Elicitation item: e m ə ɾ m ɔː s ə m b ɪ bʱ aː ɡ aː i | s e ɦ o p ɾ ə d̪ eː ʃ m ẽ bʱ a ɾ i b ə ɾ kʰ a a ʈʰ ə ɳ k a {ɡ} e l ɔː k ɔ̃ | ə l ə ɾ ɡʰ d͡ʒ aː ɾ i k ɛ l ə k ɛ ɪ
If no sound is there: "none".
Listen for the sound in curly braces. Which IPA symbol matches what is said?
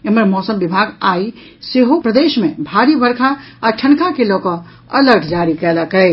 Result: k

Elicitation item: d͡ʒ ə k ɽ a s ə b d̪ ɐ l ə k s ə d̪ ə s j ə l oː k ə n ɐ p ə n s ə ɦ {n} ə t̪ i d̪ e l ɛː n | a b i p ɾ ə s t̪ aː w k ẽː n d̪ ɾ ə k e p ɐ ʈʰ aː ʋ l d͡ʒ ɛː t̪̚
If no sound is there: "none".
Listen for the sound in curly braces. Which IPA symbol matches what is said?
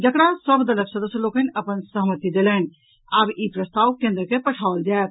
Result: m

